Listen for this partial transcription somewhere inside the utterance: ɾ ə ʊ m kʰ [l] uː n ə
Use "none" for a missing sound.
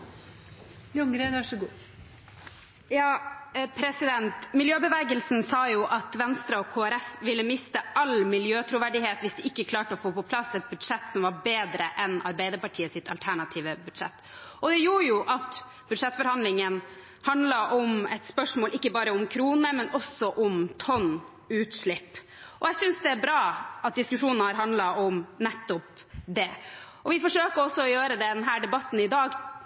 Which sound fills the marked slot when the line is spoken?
ɾ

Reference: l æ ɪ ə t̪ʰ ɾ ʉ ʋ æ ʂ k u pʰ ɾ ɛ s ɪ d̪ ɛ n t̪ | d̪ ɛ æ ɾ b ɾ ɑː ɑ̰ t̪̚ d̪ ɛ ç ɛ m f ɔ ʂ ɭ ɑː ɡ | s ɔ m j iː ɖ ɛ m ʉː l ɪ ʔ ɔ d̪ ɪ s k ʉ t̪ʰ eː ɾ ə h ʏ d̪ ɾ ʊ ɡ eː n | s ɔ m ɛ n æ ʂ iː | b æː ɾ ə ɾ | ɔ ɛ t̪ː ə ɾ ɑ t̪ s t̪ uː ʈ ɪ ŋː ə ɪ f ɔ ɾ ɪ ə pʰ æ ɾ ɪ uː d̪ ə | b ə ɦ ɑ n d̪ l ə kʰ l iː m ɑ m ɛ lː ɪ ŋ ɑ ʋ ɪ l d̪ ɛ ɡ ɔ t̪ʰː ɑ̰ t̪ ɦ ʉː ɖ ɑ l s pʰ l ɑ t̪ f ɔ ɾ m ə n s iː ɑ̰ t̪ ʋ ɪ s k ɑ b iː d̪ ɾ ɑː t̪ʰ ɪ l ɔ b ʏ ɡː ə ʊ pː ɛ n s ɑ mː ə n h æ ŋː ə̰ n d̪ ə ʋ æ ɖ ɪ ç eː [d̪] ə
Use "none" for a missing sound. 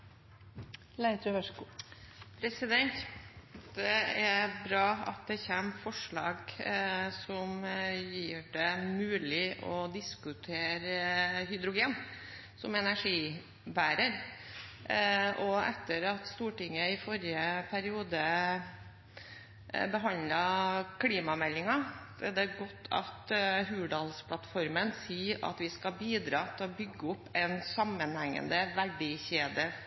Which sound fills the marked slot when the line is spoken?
d̪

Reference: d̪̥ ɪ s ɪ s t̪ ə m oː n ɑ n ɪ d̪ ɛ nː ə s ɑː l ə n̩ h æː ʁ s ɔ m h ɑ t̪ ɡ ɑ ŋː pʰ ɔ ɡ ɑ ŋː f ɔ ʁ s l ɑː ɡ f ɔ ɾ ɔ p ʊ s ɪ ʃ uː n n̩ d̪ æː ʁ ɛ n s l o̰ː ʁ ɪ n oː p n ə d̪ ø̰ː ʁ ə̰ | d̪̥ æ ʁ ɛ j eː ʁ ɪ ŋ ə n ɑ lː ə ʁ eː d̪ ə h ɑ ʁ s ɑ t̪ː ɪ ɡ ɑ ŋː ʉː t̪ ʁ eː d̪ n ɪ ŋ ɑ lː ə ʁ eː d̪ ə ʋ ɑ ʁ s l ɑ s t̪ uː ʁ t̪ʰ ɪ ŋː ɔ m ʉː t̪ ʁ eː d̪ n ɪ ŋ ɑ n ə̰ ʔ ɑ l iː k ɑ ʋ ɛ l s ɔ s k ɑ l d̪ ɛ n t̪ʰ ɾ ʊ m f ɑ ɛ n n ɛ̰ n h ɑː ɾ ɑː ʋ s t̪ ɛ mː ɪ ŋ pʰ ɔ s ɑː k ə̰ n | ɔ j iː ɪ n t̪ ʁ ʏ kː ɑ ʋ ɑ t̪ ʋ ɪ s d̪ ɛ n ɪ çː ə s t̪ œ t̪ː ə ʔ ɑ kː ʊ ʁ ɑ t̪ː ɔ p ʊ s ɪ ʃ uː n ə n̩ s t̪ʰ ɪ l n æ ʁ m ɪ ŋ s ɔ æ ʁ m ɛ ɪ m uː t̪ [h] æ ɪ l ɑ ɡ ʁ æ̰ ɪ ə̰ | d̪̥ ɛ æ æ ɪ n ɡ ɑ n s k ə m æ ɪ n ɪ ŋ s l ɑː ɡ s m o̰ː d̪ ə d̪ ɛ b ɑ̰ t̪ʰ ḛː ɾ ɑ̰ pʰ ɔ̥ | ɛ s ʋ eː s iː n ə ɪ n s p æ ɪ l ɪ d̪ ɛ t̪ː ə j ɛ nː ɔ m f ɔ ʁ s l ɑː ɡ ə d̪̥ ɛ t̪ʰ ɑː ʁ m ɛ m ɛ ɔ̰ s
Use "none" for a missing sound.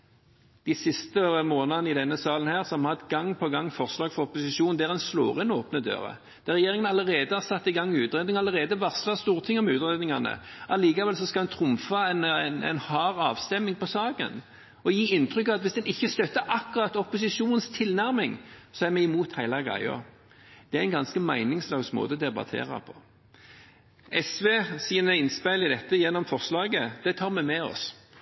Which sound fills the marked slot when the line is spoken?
h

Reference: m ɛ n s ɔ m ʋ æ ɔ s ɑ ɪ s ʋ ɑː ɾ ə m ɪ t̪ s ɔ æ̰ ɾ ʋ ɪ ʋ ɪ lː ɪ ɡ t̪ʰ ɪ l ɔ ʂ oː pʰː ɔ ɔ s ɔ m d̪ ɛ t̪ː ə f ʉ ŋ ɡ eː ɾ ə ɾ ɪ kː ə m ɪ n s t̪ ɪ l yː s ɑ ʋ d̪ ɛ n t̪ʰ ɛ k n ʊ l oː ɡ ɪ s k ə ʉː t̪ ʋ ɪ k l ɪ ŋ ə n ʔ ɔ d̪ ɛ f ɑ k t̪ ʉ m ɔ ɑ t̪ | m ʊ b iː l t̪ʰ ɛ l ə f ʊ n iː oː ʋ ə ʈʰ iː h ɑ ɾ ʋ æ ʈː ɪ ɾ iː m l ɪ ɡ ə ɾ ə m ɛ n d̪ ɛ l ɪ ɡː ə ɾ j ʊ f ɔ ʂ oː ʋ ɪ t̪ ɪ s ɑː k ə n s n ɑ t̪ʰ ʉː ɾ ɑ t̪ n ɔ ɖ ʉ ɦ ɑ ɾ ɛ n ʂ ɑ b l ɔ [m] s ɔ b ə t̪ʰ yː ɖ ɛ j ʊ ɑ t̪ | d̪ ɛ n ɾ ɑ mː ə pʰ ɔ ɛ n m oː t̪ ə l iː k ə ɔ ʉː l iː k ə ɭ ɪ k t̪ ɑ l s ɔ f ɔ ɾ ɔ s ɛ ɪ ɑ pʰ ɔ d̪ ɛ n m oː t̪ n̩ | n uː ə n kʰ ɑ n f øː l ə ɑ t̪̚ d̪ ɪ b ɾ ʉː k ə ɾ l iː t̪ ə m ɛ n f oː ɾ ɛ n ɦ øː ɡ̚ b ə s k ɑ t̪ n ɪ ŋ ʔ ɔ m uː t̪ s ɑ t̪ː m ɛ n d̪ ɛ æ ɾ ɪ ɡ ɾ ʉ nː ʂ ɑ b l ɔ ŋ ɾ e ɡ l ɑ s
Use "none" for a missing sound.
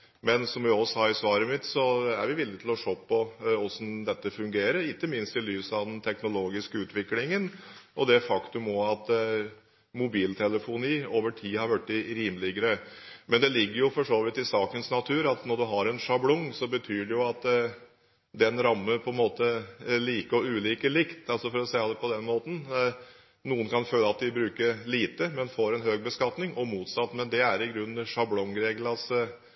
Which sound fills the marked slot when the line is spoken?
ŋ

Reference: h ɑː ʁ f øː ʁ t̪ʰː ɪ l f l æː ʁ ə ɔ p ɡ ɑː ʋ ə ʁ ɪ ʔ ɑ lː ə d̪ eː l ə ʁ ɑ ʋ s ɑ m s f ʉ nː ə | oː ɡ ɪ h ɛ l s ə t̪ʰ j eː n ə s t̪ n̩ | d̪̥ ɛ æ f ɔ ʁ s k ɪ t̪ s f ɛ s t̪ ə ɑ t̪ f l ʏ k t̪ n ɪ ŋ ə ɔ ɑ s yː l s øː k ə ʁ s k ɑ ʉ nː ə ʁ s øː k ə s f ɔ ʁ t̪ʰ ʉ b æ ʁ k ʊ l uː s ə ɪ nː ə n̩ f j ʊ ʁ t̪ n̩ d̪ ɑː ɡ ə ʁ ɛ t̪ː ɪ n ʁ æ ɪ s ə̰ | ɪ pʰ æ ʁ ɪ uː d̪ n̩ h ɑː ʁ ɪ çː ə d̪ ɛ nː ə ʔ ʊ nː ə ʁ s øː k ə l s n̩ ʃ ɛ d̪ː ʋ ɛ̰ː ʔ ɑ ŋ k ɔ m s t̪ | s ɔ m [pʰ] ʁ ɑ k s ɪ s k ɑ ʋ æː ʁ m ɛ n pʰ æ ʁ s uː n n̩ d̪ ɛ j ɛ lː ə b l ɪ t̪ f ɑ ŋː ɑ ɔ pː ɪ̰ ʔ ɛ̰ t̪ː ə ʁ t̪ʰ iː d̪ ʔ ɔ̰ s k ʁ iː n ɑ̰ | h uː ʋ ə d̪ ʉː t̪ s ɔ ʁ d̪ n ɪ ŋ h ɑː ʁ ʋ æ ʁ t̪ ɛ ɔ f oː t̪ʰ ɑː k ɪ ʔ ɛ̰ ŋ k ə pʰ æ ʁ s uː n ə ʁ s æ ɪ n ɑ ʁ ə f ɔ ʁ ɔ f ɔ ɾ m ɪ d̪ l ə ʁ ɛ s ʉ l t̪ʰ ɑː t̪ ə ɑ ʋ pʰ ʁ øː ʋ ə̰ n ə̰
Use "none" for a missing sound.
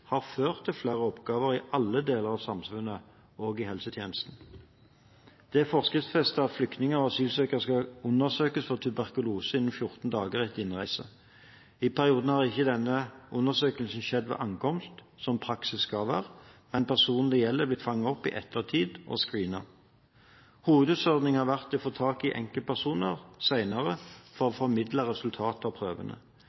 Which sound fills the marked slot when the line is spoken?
pʰ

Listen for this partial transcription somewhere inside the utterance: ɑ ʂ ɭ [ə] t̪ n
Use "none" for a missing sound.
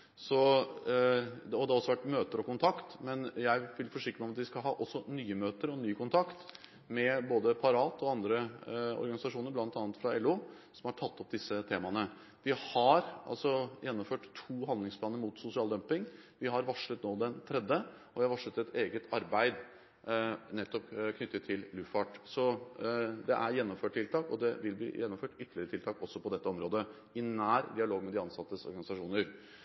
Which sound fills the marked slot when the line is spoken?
ə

